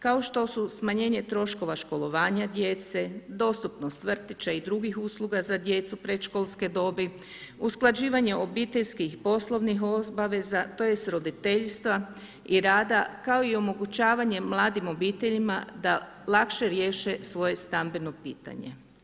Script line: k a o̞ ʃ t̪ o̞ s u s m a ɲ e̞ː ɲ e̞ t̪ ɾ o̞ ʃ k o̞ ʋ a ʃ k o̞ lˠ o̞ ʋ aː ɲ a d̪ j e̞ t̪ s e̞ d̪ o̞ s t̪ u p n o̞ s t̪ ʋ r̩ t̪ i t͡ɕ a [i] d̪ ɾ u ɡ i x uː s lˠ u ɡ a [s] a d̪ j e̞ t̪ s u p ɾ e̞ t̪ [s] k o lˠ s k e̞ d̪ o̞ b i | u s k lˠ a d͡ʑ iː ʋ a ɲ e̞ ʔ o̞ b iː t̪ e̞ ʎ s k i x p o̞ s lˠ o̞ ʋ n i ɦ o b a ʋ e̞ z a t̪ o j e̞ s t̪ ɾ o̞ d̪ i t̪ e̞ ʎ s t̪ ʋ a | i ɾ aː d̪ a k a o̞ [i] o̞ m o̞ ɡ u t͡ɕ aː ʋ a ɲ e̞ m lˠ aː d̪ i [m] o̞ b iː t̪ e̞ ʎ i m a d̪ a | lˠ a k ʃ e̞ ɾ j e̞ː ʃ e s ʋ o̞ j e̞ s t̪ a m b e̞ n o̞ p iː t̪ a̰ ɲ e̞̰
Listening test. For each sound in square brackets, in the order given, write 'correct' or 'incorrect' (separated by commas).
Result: correct, incorrect, incorrect, correct, correct